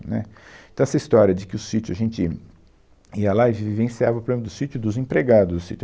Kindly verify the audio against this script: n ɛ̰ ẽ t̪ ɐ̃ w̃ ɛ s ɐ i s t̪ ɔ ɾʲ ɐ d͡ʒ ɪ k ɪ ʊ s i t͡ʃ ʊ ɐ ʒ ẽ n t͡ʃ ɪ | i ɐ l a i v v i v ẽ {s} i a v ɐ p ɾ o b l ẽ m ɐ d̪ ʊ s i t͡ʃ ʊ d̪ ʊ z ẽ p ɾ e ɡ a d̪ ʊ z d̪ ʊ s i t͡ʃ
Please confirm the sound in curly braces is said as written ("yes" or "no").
yes